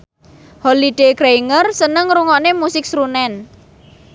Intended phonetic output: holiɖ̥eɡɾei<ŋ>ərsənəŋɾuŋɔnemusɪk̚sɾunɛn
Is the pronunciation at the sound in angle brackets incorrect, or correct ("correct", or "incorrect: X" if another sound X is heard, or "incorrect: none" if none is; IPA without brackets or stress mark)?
correct